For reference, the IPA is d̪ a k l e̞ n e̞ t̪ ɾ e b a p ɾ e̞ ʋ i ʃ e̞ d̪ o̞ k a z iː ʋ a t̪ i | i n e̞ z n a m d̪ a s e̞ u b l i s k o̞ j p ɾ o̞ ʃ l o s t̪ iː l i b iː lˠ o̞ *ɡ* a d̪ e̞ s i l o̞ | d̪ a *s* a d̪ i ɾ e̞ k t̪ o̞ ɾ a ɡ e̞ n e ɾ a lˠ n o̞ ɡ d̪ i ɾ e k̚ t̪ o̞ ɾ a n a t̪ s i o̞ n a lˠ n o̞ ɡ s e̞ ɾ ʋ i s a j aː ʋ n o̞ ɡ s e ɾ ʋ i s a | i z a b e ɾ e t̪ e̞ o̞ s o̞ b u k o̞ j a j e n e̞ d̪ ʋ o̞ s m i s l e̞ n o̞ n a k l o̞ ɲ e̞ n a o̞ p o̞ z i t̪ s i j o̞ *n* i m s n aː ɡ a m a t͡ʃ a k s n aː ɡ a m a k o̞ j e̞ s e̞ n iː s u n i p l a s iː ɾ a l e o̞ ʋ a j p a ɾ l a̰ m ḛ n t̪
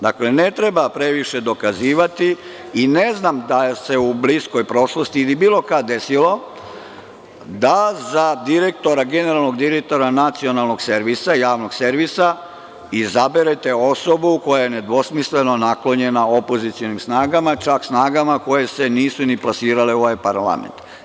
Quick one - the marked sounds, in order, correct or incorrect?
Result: incorrect: k, incorrect: z, correct

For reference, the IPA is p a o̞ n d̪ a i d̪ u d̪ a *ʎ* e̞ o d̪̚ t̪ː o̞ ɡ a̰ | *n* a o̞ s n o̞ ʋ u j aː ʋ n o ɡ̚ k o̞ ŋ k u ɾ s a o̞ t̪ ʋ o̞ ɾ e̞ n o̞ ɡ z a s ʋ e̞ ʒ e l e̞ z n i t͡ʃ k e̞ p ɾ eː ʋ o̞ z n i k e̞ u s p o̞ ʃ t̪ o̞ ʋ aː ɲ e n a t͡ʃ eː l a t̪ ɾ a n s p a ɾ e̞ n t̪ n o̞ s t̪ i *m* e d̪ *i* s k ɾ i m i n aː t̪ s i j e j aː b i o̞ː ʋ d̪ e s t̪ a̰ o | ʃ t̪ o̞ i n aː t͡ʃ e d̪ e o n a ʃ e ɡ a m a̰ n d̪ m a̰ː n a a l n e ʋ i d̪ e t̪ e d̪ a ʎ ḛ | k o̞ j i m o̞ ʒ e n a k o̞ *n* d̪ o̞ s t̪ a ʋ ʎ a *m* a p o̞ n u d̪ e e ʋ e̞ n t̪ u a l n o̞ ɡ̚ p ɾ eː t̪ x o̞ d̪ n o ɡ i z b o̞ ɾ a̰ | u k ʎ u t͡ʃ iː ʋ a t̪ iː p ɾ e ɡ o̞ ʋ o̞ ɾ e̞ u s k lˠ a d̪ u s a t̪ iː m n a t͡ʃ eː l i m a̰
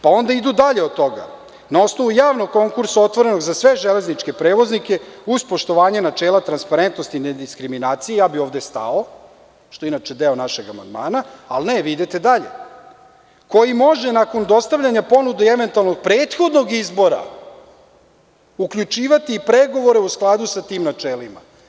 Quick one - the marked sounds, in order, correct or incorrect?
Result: correct, correct, incorrect: n, correct, correct, incorrect: ɲ

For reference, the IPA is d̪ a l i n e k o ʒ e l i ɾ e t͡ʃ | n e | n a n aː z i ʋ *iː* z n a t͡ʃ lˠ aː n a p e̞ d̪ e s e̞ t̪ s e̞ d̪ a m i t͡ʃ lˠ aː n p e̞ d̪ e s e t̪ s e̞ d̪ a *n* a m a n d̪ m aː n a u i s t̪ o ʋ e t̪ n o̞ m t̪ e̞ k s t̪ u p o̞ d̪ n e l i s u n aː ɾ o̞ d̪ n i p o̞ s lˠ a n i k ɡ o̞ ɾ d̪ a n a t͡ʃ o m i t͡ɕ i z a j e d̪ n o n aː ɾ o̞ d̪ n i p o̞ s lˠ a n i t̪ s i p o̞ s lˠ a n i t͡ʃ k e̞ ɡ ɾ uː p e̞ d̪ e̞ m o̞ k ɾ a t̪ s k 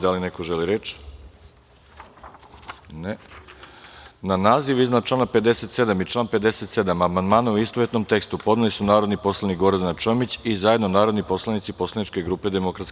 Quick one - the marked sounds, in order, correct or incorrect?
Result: incorrect: i, incorrect: m

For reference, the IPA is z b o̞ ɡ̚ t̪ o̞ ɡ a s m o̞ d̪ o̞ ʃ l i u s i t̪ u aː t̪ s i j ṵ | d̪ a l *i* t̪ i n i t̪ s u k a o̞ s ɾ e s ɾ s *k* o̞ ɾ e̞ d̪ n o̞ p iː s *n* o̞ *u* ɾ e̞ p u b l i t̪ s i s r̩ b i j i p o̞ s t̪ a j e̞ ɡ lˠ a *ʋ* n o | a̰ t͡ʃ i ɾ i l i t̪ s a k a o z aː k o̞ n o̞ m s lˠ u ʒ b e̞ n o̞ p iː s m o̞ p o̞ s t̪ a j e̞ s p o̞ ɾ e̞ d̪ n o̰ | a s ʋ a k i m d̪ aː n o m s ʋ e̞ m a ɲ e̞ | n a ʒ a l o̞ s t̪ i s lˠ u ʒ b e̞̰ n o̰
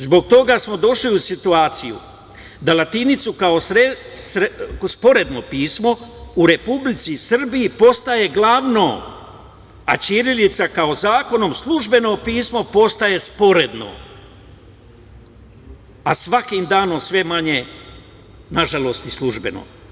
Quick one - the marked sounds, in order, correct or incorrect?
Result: incorrect: a, incorrect: p, incorrect: m, correct, correct

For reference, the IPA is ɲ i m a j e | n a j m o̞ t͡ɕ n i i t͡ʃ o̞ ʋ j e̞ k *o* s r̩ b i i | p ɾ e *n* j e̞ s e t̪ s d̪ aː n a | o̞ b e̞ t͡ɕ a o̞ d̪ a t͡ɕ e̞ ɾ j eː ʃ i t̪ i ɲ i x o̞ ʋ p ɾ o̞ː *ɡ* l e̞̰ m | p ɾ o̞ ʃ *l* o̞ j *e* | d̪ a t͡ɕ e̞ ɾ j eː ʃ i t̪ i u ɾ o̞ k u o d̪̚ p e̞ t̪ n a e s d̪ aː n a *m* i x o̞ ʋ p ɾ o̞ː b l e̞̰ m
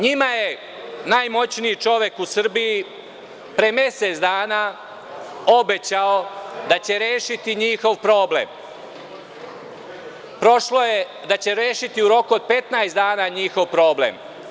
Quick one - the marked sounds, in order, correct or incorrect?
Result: incorrect: u, incorrect: m, incorrect: b, correct, correct, incorrect: ɲ

